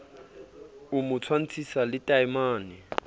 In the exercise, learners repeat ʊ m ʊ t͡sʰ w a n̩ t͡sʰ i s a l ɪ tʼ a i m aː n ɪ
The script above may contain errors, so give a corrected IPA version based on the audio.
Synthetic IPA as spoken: ʊ m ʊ t͡sʰ w a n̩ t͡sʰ i s a l ɪ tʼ a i m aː n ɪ